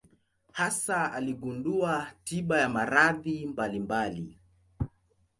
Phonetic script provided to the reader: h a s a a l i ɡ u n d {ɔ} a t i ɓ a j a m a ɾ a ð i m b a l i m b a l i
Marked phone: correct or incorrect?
incorrect